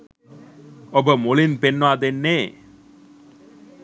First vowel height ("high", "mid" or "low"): mid